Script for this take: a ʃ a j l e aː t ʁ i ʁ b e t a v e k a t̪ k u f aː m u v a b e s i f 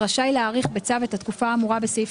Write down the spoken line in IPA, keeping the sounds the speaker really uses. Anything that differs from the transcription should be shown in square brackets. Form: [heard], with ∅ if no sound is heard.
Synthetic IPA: a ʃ a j l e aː [∅] ʁ i [χ] b e [t͡s] a v e [t] a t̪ k u f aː m u [ʁ] a b e s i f